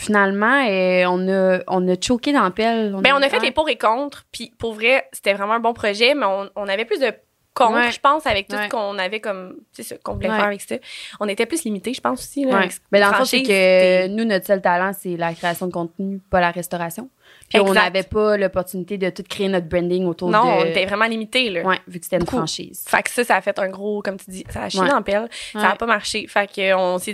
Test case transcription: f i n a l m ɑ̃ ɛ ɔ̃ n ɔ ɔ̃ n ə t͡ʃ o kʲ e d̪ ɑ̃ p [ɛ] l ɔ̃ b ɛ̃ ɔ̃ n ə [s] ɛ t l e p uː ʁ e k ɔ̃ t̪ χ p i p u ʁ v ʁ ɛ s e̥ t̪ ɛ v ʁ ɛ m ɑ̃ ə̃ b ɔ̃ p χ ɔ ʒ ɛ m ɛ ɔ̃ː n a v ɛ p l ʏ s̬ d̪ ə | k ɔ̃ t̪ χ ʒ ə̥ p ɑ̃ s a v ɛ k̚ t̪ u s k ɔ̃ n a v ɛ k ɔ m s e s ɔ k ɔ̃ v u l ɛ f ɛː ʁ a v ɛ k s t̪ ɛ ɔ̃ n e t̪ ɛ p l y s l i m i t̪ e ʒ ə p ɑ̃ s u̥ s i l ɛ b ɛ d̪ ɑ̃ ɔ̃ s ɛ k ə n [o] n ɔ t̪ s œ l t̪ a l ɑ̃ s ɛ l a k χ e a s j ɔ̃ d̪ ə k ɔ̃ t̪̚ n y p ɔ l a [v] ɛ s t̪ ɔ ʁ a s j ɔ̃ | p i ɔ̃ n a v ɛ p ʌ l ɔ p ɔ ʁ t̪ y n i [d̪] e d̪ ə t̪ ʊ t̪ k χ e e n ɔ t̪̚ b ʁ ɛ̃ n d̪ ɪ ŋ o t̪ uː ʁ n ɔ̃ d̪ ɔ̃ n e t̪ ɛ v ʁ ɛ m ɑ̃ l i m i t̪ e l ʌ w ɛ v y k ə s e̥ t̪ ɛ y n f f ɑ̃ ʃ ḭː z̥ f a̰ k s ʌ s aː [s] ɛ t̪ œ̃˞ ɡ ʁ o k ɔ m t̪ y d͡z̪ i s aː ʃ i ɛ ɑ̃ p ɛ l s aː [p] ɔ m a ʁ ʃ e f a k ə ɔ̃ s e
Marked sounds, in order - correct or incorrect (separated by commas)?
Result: correct, incorrect, incorrect, incorrect, incorrect, incorrect, correct